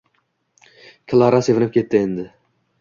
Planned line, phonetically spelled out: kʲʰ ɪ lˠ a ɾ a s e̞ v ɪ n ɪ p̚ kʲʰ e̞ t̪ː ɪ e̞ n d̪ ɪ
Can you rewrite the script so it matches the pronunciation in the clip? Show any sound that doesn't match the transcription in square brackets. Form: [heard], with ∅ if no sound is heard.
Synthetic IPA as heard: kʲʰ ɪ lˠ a ɾ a s e̞ v ɪ n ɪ p̚ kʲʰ e̞ t̪ː ɪ e̞ n d̪ ɪ